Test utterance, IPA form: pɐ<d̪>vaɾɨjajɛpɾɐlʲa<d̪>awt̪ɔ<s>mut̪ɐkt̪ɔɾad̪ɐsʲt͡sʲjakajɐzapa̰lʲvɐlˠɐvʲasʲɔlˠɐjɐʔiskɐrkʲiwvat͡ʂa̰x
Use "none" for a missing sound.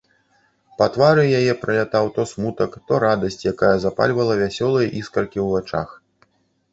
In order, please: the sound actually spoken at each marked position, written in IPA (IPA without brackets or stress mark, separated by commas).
t̪, t̪, s